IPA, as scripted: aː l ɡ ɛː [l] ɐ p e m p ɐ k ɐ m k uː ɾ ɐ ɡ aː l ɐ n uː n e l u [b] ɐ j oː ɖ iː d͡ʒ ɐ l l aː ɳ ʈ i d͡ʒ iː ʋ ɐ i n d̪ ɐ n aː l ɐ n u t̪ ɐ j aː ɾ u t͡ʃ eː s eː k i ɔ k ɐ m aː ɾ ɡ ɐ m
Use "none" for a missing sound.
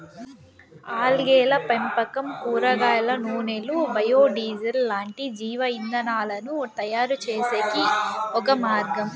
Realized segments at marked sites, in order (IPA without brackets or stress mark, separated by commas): l, b